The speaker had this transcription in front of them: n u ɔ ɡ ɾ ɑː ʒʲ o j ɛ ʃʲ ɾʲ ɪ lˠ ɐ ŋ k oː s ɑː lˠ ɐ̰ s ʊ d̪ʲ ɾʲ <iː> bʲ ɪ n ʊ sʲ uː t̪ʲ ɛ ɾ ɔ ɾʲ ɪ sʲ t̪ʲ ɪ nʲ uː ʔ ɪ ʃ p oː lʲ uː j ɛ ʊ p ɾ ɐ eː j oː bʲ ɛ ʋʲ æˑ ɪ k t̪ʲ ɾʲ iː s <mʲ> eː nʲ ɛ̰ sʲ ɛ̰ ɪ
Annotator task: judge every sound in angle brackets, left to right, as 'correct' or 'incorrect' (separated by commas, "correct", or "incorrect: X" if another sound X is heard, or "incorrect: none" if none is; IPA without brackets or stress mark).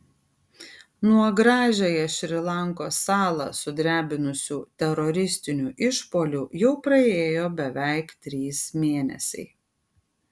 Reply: incorrect: æː, correct